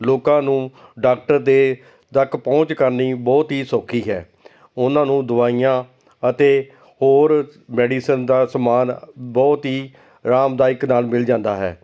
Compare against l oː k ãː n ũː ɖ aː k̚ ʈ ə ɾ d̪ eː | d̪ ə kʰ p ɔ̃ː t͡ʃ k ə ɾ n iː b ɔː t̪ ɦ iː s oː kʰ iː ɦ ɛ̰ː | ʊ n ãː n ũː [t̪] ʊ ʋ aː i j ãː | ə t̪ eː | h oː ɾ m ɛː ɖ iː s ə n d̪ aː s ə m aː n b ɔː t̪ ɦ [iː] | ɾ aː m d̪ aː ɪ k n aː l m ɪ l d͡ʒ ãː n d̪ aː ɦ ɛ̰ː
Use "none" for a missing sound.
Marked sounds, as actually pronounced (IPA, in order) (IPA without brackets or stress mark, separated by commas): d̪, iː